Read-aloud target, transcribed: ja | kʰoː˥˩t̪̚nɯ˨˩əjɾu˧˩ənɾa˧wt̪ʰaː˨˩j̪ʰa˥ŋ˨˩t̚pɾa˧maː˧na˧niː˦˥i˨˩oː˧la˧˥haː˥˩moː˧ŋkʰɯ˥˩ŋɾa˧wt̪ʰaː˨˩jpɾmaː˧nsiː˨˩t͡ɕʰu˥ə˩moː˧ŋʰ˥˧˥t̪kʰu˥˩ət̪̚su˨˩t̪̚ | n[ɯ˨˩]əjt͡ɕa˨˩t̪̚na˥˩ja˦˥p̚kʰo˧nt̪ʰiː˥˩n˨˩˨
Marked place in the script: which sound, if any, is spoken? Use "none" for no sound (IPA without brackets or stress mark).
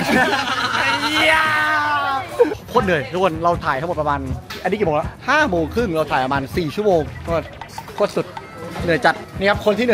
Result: ɯ˨˩